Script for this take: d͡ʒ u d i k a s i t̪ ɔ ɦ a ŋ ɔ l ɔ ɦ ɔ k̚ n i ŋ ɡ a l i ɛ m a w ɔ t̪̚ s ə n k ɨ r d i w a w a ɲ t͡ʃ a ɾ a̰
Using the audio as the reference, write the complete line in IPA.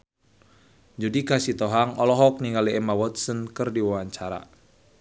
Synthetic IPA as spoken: d͡ʒ u d i k a s i t̪ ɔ ɦ a ŋ ɔ l ɔ ɦ ɔ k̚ n i ŋ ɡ a l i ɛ m a w ɔ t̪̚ s ə n k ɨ r d i w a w a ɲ t͡ʃ a ɾ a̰